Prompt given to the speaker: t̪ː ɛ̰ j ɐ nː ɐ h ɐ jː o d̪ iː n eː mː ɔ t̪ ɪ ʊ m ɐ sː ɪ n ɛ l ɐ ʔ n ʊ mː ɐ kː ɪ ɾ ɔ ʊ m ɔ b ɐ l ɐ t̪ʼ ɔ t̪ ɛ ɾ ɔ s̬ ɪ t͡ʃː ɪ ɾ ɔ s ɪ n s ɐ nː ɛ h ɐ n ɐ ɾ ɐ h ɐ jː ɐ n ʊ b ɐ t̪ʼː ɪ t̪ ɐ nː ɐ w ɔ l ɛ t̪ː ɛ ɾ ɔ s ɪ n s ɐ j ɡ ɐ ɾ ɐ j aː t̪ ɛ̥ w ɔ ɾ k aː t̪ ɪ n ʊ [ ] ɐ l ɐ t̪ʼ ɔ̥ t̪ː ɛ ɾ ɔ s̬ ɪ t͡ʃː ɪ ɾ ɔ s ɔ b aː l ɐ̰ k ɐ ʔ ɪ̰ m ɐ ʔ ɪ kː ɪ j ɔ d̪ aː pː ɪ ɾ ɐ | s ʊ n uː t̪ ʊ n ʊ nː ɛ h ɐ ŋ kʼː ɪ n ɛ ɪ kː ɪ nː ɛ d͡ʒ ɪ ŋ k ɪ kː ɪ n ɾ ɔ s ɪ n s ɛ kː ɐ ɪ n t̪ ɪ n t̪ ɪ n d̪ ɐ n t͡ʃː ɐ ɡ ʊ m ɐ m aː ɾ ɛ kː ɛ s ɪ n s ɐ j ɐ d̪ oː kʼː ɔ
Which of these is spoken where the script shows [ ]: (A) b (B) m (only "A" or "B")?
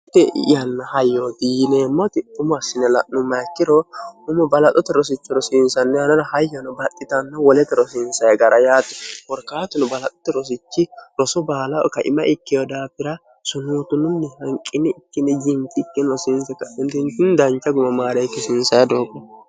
A